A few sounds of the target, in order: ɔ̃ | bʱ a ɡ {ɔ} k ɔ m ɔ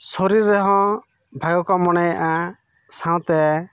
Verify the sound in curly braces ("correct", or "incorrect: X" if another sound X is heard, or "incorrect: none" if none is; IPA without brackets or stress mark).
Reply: correct